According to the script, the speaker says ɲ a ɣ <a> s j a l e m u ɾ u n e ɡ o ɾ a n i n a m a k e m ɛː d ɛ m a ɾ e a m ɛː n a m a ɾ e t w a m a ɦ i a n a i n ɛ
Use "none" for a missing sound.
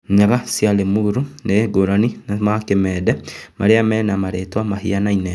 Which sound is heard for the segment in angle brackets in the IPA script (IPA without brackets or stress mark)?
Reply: a